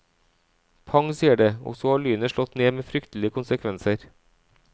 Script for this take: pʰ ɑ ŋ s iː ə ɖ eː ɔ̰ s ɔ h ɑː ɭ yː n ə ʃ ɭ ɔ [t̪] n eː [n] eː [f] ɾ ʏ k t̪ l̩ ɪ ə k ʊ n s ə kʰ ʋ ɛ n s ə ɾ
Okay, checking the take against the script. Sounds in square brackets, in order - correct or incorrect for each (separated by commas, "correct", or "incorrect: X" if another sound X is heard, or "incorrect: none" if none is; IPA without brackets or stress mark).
correct, incorrect: m, correct